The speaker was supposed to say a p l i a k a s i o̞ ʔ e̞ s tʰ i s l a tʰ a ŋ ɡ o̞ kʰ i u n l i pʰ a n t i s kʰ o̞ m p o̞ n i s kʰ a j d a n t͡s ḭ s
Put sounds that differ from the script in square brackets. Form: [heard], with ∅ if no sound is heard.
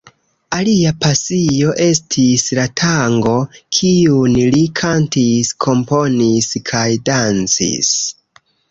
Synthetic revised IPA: a [∅] l i a [p] a s i o̞ ʔ e̞ s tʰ i s l a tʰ a ŋ ɡ o̞ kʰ i u n l i [kʰ] a n t i s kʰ o̞ m p o̞ n i s kʰ a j d a n t͡s ḭ s